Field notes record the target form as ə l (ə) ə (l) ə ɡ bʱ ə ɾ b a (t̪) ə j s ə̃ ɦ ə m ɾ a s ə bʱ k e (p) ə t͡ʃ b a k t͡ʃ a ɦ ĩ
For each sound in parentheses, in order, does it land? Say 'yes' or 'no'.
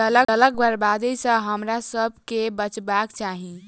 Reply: yes, yes, no, no

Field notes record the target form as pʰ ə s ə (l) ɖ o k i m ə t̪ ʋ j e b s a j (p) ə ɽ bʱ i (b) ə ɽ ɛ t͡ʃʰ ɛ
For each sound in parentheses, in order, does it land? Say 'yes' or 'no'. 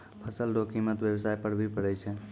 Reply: yes, yes, no

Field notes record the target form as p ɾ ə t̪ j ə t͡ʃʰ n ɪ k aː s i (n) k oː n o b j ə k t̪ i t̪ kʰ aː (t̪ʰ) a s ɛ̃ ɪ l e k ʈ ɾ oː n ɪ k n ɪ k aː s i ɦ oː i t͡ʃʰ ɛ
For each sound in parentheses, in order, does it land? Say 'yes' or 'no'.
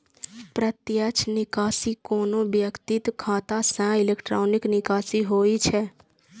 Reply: no, no

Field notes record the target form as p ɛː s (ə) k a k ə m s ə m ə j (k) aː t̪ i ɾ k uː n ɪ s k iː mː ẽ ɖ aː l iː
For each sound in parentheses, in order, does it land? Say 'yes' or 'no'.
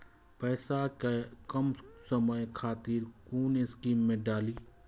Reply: no, no

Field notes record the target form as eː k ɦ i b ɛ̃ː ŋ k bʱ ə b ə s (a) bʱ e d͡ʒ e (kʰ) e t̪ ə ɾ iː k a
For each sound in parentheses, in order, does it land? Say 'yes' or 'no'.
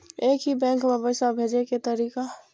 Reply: yes, no

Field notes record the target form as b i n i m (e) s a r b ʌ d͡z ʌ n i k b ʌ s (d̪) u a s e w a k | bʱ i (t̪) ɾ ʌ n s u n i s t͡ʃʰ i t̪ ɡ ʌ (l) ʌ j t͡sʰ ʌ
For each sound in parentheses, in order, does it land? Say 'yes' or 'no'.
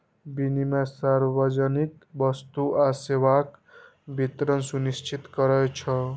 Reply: no, no, yes, no

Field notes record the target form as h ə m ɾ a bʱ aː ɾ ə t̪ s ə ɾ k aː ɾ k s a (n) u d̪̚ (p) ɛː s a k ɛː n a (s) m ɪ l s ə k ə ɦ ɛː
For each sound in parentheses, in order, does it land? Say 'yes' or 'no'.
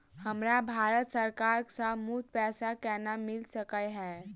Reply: no, yes, no

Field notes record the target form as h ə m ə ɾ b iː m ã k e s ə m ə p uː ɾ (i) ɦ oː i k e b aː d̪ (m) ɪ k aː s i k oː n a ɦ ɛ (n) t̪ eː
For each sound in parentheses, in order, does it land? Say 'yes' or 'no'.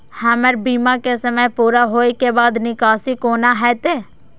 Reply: no, no, no

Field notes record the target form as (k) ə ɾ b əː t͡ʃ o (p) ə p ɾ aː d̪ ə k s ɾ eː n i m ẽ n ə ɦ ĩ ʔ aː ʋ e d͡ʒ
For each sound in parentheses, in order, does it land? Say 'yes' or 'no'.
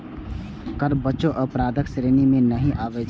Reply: yes, no

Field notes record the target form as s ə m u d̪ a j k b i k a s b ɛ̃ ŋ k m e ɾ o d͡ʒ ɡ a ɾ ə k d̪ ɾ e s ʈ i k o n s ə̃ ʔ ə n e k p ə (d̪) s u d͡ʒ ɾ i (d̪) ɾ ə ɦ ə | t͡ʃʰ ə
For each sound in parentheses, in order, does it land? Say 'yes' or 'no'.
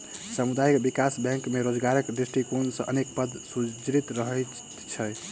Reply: yes, no

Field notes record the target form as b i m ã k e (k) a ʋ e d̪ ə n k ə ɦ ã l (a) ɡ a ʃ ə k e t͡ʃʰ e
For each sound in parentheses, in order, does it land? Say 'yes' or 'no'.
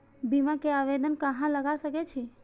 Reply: no, no

